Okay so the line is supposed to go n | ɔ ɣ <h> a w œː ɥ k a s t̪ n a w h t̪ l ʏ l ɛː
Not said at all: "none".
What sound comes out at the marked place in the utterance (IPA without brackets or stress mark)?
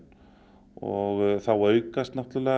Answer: θ